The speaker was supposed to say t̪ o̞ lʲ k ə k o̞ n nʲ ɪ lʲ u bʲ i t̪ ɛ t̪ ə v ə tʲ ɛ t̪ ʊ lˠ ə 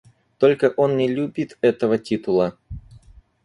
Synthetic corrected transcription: t̪ o̞ lʲ k ə ʔ o̞ n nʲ ɪ lʲ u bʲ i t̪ ɛ t̪ ə v ə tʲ i t̪ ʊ lˠ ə